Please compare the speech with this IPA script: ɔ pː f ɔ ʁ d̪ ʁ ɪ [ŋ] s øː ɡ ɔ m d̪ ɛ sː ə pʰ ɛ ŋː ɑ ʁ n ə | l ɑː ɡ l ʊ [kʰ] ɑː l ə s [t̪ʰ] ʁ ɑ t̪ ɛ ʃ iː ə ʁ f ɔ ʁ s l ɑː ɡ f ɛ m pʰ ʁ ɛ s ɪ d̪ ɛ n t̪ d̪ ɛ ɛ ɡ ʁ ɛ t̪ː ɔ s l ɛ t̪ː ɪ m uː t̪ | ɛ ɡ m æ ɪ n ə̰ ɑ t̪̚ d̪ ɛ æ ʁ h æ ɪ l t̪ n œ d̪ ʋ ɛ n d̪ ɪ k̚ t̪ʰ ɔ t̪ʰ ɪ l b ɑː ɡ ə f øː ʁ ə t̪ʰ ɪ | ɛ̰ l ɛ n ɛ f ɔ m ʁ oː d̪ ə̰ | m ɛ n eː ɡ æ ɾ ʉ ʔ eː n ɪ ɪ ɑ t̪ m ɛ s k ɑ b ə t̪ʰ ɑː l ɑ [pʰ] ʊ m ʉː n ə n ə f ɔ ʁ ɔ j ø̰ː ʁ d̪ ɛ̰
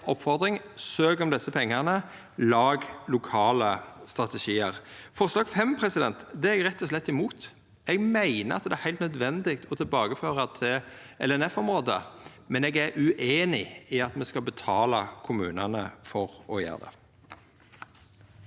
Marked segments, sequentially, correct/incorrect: correct, correct, incorrect: t̪, incorrect: kʰ

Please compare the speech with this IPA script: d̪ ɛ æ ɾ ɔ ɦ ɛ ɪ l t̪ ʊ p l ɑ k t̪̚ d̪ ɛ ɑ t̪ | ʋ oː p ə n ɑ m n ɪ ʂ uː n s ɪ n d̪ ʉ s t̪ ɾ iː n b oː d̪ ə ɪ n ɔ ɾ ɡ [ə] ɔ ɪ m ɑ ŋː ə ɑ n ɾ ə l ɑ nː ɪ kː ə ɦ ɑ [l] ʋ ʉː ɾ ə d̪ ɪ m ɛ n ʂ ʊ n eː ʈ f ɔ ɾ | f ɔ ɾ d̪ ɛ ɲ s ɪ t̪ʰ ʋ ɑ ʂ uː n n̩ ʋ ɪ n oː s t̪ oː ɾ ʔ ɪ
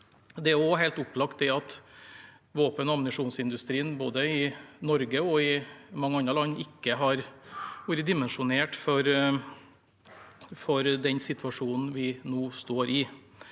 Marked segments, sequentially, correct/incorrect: correct, incorrect: ɾ

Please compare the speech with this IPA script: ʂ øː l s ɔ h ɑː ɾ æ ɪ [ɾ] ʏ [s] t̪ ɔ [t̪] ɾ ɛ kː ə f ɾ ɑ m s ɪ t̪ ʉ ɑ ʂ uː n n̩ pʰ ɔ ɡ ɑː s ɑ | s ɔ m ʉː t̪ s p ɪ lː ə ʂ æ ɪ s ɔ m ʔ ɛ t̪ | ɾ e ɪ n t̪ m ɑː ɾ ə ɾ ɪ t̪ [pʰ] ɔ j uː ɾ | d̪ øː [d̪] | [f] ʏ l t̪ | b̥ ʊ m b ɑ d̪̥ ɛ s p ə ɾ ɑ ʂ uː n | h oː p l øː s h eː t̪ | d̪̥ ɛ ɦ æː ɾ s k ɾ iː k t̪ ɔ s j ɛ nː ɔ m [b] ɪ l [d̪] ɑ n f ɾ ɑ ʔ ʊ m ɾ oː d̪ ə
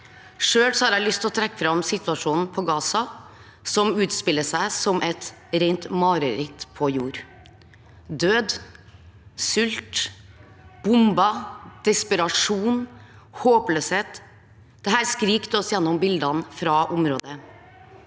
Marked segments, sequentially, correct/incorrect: incorrect: l, correct, incorrect: t̪ʰ, correct, correct, incorrect: s, correct, correct

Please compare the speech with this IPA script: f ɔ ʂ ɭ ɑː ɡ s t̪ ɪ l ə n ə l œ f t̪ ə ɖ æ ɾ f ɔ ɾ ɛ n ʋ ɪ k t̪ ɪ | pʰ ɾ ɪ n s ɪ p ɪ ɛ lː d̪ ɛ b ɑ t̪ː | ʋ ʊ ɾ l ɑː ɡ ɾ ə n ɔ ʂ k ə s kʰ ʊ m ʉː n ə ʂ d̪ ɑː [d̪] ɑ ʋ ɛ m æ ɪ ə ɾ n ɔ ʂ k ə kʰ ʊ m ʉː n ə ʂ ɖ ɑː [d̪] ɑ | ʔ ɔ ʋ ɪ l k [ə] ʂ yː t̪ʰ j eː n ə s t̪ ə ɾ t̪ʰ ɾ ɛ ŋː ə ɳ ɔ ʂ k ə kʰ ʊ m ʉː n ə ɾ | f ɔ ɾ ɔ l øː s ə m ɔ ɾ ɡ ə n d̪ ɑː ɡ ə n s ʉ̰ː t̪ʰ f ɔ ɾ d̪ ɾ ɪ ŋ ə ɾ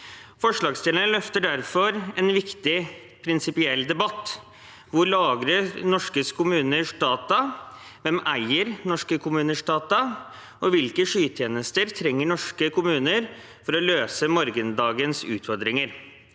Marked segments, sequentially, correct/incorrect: incorrect: t̪, incorrect: t̪, correct

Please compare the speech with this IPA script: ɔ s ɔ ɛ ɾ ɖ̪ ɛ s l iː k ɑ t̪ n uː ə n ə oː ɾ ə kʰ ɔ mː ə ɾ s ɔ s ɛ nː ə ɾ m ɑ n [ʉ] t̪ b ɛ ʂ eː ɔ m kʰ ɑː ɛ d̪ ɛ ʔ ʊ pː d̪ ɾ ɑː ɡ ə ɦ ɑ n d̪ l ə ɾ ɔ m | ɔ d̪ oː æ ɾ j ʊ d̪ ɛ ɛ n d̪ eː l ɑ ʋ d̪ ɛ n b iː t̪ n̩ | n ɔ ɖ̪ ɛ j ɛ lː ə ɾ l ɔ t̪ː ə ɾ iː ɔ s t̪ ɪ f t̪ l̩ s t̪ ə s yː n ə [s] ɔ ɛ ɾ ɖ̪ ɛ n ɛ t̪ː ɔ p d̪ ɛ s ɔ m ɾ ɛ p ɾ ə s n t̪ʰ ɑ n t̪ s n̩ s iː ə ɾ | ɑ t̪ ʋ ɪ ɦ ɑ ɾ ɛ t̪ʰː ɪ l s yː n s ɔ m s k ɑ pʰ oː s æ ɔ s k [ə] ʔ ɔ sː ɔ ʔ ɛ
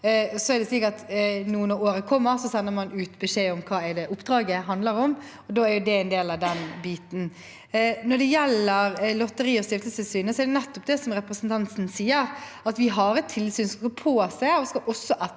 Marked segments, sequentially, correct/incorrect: incorrect: ʉː, correct, incorrect: ɑ

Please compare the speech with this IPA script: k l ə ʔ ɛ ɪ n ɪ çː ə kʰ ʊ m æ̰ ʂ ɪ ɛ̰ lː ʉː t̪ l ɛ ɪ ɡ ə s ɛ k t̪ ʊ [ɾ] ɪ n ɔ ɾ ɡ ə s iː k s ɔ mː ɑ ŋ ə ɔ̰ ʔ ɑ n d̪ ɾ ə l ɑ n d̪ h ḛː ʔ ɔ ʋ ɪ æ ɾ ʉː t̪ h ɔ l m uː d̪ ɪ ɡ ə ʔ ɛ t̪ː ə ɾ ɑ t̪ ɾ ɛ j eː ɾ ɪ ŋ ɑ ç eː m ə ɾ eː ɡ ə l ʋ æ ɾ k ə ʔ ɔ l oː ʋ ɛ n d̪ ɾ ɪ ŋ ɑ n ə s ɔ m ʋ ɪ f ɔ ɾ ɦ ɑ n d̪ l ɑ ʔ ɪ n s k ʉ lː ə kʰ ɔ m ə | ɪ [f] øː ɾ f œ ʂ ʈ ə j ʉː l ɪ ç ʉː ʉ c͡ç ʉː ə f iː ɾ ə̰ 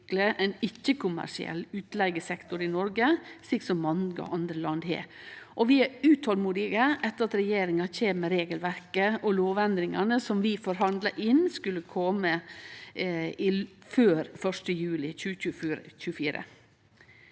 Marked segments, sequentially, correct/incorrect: correct, correct

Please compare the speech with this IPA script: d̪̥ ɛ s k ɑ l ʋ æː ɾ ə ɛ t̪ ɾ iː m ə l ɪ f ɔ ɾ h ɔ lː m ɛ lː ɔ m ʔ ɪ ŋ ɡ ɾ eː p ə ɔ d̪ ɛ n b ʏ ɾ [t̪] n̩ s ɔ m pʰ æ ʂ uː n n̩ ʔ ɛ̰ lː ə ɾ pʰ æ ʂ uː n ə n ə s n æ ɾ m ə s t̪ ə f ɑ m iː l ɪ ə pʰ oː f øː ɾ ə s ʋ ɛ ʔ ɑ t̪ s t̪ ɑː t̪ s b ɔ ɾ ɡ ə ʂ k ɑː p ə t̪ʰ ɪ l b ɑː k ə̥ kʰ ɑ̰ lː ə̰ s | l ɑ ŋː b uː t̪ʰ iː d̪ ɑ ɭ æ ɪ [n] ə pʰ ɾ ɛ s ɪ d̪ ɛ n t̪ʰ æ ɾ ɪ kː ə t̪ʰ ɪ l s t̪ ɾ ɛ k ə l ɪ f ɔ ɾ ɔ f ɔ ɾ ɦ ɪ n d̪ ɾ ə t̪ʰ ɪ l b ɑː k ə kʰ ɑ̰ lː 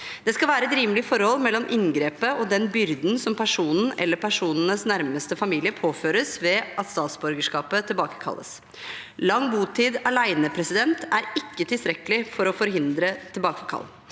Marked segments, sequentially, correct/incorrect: incorrect: d̪, correct

